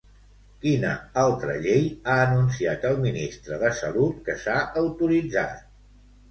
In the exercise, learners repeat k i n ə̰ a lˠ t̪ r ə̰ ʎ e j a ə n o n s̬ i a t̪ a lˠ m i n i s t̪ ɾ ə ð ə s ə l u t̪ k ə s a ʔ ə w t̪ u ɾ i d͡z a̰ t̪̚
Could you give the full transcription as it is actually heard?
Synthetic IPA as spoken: k i n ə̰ a lˠ t̪ ɾ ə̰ ʎ e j a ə n u n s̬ i a t̪ ə lˠ m i n i s t̪ ɾ ə ð ə s ə l u t̪ k ə s a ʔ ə w t̪ u ɾ i d͡z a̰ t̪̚

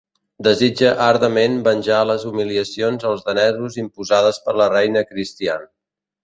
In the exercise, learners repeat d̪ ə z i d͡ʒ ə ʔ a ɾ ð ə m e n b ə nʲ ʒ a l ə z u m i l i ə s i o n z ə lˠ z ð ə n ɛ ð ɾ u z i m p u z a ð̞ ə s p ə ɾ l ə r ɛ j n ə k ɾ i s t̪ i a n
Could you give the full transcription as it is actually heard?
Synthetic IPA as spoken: d̪ ə z i d͡ʒ ə ʔ a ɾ ð ə m e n b ə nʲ ʒ a l ə z u m i l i ə s i o n z ə lˠ z ð ə n ɛ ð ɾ u z i m p u z a ð̞ ə s p ə ɾ l ə r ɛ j n ə k ɾ i s t̪ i a n

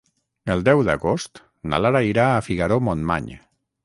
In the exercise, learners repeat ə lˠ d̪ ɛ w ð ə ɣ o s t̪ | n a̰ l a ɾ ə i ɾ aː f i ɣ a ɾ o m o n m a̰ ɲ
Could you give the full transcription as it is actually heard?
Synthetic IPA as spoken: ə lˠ d̪ ɛ w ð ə ɣ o s t̪ | n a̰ l a ɾ a i ɾ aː f i ɣ a ɾ o m o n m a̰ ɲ

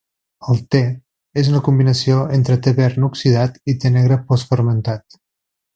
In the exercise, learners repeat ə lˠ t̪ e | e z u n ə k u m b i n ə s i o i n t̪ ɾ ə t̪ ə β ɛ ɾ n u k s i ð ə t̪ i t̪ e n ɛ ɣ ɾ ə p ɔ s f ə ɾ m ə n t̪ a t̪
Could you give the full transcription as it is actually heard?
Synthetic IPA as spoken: ə lˠ t̪ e | e z u n ə k u m b i n ə s i o e n t̪ ɾ ə t̪ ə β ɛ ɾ n u k s i ð a t̪ i t̪ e n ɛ ɣ ɾ ə p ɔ s f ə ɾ m ə n t̪ a t̪

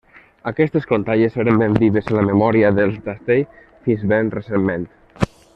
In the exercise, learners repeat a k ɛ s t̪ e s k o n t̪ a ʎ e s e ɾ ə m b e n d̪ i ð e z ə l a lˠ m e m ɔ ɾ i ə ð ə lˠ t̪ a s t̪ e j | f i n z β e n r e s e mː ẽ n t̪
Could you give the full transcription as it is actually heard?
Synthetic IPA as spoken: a k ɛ s t̪ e s k o n t̪ a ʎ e s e ɾ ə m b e n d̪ i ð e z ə l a m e m ɔ ɾ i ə ð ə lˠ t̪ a s t̪ e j | f i n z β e n r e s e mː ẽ n t̪

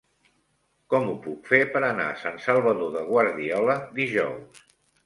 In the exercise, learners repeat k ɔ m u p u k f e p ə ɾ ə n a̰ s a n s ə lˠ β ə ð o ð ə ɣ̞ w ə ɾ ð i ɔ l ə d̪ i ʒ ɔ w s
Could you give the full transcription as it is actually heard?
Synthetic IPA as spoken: k ɔ m u p u k f e p ə ɾ ə n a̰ s a n s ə lˠ β ə ð o ð ə ɣ̞ w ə ɾ ð i ɔ l ə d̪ i ʒ ɔ w s

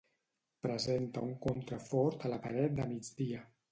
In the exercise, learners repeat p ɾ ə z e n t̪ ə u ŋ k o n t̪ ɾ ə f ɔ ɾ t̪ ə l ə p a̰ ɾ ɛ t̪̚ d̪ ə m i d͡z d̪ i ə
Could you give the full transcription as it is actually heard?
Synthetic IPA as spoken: p ɾ ə z e n t̪ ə u ŋ k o n t̪ ɾ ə f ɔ ɾ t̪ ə l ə p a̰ ɾ ɛ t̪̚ d̪ ə m i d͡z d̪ i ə

